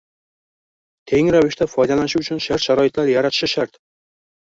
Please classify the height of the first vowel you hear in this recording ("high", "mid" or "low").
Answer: mid